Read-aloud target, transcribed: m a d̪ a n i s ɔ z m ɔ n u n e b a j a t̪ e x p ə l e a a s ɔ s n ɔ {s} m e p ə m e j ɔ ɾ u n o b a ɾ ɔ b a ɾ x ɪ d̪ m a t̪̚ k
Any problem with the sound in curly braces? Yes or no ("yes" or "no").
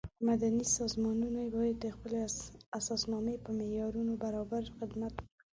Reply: yes